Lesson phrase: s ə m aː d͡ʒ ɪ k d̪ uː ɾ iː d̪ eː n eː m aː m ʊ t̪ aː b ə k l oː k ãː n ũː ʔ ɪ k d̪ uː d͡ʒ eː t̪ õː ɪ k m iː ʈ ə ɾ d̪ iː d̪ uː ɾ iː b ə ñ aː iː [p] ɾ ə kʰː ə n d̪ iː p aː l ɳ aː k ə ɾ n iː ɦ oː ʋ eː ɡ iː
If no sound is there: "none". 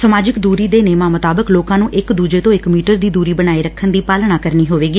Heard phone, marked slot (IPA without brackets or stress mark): none